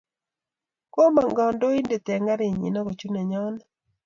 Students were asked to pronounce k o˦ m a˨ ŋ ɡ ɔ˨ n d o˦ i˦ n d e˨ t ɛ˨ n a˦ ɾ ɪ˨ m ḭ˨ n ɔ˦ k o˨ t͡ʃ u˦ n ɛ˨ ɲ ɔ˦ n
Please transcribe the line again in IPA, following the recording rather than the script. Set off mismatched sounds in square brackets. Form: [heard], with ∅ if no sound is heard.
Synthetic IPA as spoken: k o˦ m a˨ ŋ ɡ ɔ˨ n d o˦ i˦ n d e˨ t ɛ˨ [ŋ] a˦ ɾ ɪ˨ [ɲ] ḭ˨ n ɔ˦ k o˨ t͡ʃ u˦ n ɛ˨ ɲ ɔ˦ n